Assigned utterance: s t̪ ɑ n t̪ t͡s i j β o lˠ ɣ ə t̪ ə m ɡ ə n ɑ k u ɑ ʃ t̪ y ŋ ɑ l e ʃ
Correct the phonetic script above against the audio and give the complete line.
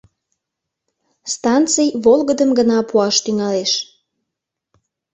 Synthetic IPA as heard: s t̪ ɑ n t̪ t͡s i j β o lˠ ɣ ə d̪ ə m ɡ ə n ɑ p u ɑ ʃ t̪ y ŋ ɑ l e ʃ